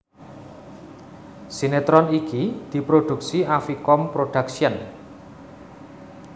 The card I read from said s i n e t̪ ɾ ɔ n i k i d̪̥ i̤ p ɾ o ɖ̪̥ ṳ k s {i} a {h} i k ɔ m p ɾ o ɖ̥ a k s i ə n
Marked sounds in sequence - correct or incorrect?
correct, incorrect

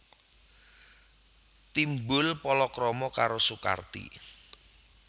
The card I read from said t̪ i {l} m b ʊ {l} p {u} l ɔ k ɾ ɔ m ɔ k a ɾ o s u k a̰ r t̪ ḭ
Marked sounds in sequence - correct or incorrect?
incorrect, correct, incorrect

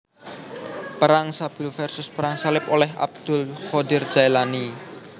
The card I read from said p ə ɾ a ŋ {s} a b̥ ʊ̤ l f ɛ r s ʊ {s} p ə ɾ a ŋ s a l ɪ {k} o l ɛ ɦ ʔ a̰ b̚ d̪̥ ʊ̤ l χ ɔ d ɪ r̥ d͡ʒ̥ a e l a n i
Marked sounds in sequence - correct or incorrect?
correct, correct, incorrect

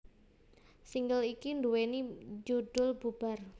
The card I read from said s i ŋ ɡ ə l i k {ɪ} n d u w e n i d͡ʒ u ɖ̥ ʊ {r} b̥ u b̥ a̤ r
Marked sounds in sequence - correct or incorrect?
incorrect, incorrect

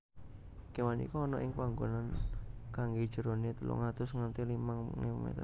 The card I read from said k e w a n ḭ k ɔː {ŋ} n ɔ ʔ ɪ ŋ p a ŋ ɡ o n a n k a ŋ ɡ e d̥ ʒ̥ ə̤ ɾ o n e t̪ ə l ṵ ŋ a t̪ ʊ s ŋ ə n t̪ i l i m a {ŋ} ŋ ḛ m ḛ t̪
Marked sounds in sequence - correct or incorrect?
incorrect, correct

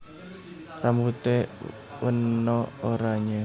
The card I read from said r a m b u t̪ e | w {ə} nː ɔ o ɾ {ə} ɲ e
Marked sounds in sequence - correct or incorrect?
correct, incorrect

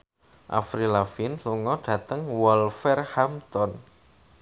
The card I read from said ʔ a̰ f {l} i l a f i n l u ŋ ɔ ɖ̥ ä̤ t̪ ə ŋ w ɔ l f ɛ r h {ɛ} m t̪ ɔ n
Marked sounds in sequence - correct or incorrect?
incorrect, incorrect

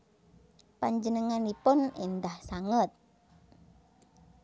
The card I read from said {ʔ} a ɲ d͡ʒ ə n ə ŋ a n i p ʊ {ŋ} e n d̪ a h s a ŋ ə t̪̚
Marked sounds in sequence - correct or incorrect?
incorrect, incorrect

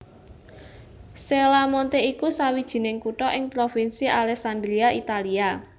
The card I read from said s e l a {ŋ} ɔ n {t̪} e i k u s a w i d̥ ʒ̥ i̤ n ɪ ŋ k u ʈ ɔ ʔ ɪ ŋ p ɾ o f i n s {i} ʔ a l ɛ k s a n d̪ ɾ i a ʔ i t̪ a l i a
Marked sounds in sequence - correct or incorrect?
incorrect, correct, correct

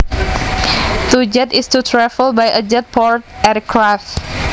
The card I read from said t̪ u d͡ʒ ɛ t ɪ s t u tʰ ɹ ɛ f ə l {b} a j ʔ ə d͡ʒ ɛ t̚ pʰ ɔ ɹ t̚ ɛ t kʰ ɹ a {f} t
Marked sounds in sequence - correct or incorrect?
correct, correct

